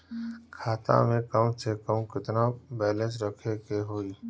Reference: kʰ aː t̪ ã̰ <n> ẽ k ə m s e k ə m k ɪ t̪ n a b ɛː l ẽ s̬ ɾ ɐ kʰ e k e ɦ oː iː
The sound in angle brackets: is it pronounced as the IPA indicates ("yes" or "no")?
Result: no